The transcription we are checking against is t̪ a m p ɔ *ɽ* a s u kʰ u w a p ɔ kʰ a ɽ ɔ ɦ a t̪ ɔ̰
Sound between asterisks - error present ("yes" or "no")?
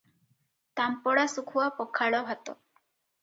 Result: no